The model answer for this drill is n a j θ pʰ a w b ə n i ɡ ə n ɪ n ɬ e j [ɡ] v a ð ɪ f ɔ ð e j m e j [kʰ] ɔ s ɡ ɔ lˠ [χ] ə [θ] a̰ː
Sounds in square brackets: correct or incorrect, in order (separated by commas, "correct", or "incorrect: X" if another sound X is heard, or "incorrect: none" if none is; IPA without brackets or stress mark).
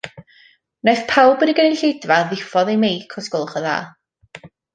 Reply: incorrect: d, correct, correct, incorrect: ð